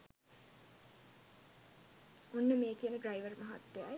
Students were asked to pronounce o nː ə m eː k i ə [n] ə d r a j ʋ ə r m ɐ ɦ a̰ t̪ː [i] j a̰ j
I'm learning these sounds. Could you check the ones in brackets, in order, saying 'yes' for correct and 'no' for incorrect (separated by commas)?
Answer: yes, no